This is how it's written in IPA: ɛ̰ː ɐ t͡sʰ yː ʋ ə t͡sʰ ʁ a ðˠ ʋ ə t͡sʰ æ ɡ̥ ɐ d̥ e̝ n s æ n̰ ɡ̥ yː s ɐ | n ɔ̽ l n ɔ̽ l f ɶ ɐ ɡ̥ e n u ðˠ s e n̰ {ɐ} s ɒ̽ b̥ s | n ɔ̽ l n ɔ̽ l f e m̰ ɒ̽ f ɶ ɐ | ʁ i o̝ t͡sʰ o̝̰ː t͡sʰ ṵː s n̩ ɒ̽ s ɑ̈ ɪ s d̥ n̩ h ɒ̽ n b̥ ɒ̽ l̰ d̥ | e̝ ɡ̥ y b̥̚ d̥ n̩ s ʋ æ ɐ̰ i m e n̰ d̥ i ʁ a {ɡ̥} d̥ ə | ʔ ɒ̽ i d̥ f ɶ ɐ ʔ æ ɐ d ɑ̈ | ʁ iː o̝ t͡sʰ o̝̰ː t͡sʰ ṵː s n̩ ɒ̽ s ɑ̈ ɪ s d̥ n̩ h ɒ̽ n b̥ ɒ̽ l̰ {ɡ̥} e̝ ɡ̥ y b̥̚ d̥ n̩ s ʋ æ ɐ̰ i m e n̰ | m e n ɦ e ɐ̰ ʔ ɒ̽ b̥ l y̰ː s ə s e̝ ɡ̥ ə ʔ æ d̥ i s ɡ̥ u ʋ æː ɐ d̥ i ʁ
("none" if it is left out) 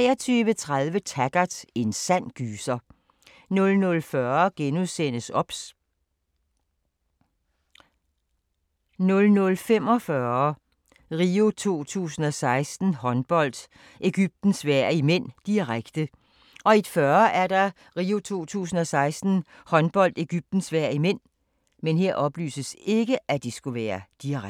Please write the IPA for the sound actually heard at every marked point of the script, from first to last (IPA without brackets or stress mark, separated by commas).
ə, ɡ̥, d̥